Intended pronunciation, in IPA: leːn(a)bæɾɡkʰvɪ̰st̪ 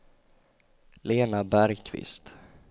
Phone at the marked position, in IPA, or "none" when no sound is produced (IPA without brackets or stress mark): a